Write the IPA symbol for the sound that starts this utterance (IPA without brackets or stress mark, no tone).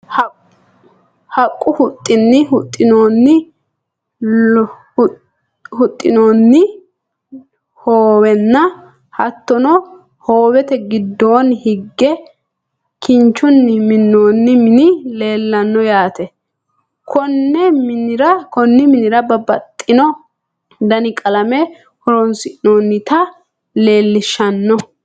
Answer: h